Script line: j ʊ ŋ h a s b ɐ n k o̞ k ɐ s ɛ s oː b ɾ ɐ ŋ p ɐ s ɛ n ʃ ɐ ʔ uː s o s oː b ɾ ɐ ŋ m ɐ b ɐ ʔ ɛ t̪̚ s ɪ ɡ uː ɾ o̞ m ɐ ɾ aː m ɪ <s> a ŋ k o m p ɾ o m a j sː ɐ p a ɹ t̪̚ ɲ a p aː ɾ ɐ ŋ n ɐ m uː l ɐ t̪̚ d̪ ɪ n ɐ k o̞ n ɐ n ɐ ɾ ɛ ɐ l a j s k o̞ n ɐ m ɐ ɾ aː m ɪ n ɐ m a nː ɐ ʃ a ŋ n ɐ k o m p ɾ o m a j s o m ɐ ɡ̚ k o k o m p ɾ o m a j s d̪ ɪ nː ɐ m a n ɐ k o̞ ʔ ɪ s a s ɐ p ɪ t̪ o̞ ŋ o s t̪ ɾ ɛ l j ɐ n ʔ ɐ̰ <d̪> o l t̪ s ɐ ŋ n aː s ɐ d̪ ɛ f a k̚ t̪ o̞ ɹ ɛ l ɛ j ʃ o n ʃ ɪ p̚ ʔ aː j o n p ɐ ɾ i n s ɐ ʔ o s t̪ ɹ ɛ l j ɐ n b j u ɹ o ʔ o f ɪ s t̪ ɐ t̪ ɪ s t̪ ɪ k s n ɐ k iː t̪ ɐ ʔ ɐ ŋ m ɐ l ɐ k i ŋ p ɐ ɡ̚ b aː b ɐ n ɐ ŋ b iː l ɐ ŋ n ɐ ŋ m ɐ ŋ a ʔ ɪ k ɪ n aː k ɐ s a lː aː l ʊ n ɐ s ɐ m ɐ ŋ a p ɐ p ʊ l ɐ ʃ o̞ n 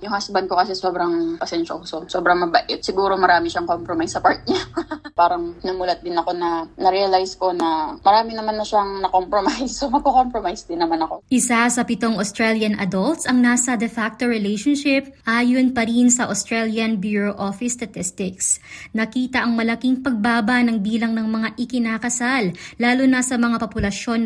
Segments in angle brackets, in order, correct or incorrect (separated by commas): incorrect, correct